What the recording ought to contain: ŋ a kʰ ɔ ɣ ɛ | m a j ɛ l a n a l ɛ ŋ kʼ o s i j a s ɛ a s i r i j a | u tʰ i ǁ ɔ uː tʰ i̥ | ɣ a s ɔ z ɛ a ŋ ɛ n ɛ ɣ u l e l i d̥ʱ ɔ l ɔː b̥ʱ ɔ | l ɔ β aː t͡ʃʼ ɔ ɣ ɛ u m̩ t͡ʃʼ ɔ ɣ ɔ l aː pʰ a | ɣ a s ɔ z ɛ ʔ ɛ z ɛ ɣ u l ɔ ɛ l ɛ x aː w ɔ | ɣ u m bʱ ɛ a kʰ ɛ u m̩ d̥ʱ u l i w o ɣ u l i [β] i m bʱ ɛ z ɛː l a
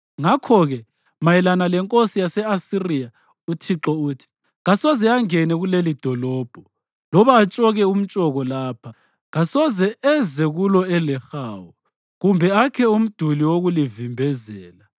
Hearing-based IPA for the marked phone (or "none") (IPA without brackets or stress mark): v